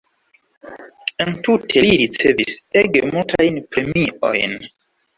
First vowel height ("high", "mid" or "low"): mid